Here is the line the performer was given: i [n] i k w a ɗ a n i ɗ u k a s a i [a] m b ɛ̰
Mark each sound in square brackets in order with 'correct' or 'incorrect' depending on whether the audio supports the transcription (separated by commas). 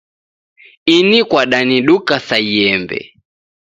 correct, incorrect